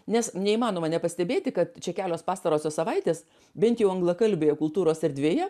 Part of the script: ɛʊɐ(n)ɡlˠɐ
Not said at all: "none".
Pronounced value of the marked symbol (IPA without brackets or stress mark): ŋ